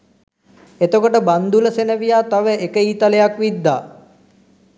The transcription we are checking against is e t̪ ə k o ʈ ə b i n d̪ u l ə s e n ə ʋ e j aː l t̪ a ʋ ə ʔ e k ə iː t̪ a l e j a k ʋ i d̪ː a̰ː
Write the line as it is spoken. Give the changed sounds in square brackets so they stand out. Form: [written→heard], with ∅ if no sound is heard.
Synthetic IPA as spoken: e t̪ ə k o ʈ ə b [i→a] n d̪ u l ə s e n ə ʋ [e→i] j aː [l→∅] t̪ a ʋ ə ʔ e k ə iː t̪ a l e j a k ʋ i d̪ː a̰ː